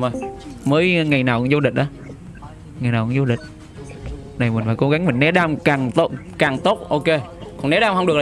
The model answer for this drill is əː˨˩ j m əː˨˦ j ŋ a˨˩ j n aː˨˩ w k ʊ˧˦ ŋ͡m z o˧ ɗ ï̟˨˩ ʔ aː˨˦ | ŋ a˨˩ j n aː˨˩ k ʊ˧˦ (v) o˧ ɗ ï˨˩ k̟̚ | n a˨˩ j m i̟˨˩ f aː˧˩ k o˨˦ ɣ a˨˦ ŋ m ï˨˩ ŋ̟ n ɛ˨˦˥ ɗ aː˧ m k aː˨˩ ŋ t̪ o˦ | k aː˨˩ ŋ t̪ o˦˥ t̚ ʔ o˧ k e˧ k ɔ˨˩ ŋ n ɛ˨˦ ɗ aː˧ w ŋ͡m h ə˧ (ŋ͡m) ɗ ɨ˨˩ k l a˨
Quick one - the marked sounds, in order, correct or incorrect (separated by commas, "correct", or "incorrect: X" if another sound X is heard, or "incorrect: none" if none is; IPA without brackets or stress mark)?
incorrect: z, correct